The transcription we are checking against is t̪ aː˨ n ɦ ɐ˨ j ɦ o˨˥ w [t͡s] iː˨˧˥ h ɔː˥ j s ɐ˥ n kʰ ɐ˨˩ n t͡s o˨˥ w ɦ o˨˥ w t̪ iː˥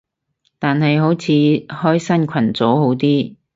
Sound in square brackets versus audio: incorrect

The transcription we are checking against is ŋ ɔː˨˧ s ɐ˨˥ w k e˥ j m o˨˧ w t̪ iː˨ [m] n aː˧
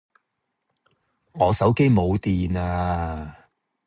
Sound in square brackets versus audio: incorrect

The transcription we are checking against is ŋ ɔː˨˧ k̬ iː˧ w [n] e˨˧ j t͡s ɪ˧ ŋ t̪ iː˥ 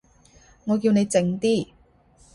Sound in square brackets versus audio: correct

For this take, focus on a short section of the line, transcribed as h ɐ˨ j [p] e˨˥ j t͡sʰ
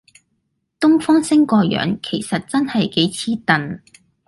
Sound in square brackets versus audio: incorrect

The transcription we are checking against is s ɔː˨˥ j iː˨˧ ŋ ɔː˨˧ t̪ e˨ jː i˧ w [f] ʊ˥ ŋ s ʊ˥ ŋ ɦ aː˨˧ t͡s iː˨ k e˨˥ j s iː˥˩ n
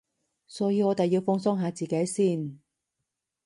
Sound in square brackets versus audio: correct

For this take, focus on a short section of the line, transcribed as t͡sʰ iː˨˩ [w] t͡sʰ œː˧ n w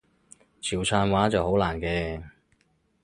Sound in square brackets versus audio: correct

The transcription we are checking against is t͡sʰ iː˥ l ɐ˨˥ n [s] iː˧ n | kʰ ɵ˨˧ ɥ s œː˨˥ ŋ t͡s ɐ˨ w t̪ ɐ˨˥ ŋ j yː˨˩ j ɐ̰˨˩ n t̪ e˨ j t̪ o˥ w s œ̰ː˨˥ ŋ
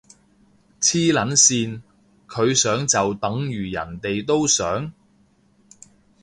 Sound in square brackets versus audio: correct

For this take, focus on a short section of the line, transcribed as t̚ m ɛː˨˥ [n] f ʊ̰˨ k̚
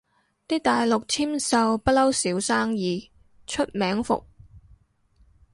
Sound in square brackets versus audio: incorrect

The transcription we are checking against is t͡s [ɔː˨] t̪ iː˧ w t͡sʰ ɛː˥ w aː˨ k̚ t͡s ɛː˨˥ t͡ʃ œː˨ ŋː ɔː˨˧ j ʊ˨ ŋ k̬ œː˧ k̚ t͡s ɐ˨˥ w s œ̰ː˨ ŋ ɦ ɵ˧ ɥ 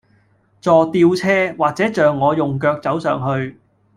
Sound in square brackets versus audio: correct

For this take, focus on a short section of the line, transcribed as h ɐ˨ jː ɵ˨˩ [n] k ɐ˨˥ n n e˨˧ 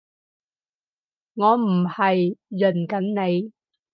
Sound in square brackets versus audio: correct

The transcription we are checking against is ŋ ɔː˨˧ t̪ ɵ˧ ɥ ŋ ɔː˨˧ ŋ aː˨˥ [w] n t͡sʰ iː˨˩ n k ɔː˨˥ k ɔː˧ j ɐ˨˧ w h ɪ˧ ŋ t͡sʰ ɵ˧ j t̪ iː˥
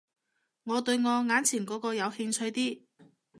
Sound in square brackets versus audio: incorrect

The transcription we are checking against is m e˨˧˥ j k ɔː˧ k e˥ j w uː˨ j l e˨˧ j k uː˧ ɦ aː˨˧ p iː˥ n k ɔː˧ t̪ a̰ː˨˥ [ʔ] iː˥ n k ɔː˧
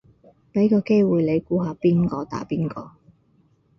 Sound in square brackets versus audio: incorrect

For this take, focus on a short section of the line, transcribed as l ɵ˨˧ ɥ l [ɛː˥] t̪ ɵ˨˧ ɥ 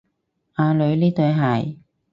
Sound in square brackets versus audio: incorrect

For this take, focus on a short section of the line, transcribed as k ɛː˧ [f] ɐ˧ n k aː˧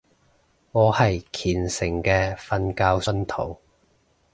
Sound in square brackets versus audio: correct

